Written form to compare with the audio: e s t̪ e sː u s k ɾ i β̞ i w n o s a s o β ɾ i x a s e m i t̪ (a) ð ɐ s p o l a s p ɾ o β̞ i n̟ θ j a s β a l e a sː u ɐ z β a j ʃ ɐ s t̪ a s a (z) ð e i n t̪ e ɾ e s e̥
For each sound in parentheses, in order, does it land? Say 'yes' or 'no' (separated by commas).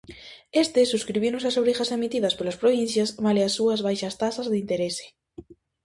no, yes